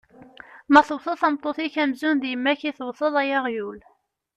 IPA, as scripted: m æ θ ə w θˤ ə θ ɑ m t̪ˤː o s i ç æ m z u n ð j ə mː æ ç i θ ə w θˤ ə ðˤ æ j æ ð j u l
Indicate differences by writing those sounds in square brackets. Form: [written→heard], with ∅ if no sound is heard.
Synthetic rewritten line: m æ θ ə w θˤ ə θ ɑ m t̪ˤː o [s→θ] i ç æ m z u n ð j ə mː æ ç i θ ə w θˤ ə ðˤ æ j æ [ð→ʁ] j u l